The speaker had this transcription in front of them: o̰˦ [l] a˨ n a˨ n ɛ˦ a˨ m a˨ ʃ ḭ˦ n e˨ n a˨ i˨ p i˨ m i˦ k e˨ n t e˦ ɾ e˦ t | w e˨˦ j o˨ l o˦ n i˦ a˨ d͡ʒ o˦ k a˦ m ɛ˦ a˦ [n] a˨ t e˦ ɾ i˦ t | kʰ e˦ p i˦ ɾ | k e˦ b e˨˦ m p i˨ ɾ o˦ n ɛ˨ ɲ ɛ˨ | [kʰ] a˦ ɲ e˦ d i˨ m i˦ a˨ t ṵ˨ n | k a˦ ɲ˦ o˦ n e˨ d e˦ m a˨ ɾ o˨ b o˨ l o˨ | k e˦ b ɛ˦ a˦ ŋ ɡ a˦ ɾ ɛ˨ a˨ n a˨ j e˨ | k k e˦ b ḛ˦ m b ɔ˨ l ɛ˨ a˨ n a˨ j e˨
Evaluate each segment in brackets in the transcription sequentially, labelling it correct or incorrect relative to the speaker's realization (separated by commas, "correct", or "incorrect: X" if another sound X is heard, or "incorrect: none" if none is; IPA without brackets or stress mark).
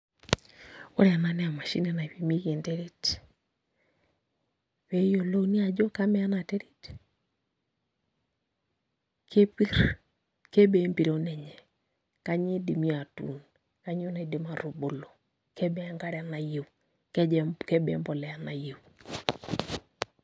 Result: incorrect: ɾ, correct, incorrect: k